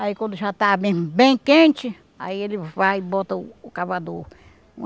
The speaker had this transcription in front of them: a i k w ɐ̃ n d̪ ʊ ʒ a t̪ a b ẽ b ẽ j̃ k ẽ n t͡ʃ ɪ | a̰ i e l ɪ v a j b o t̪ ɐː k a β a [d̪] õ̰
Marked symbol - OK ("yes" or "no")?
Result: yes